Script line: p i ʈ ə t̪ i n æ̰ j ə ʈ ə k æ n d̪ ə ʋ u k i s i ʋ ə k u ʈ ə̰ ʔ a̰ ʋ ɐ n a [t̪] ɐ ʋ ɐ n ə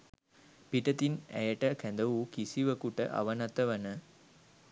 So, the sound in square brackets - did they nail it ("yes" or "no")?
yes